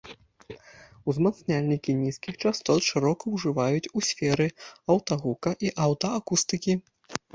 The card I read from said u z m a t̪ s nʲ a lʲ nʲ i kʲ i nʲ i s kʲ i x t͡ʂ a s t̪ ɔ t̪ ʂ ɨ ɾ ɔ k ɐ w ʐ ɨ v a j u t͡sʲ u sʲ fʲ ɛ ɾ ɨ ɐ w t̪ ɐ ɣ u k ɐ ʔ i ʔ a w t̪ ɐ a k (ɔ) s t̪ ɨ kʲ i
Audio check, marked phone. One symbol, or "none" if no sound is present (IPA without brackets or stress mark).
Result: u